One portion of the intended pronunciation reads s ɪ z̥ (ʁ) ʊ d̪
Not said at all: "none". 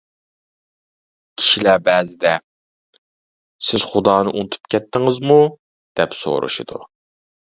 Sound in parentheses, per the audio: χ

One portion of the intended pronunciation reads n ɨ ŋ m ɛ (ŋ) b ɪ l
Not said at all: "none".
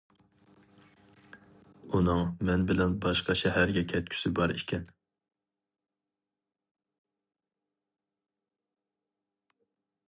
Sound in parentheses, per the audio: n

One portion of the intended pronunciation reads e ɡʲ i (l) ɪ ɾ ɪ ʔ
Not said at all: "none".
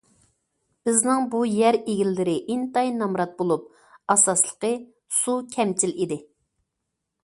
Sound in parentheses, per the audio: lː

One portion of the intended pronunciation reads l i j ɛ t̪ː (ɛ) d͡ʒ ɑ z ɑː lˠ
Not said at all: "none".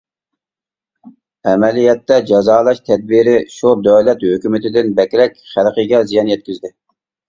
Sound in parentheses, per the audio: ɛ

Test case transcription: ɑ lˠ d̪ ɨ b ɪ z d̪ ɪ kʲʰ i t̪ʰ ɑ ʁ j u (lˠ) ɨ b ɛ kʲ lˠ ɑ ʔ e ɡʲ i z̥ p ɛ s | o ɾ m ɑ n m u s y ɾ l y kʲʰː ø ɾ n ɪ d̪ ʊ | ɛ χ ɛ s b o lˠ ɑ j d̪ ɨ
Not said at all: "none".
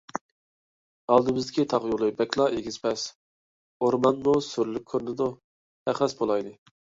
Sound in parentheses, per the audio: lˠ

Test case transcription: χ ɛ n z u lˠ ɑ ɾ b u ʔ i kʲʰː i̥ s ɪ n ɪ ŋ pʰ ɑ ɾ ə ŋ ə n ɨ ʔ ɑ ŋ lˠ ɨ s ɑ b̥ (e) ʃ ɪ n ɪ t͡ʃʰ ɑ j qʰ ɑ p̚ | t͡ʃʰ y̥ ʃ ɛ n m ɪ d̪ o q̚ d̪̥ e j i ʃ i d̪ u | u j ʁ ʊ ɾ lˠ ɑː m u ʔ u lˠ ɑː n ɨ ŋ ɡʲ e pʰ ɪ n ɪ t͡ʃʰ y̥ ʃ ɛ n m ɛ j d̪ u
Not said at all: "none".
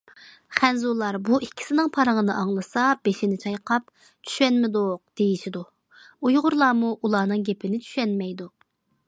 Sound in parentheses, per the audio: e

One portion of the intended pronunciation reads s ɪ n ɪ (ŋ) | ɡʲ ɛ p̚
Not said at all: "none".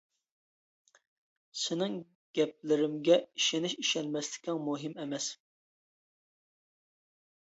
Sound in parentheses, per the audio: ŋ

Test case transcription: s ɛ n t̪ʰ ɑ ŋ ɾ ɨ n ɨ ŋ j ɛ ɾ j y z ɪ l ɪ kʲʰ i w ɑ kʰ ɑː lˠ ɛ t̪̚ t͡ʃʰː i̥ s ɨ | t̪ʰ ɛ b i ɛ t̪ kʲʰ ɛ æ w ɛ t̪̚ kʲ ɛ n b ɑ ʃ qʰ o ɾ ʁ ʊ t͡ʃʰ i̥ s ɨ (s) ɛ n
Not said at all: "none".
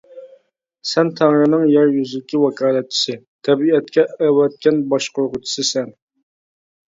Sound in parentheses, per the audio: s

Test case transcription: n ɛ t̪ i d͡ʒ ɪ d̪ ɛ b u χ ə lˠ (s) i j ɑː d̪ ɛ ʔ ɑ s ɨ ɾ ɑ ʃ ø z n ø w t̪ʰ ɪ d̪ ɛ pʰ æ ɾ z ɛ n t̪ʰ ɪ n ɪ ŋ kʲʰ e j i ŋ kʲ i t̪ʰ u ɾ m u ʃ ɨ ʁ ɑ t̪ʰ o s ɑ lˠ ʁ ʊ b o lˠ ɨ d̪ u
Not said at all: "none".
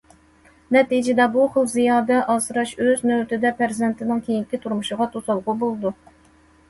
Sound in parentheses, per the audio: z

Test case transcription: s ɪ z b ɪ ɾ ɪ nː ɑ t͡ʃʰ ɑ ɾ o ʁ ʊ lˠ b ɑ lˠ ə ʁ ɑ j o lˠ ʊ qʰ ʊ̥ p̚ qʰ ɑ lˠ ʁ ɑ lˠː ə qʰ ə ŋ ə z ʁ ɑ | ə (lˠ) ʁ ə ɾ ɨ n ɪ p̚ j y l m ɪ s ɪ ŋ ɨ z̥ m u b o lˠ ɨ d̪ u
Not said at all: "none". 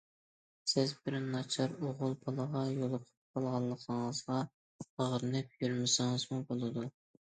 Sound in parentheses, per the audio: none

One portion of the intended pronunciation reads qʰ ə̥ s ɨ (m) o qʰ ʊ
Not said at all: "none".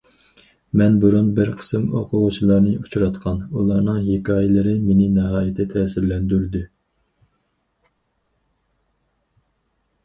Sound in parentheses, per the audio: m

